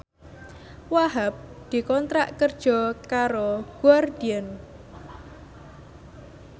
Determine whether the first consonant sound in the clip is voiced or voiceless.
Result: voiced